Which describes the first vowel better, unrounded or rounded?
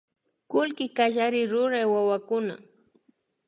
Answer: rounded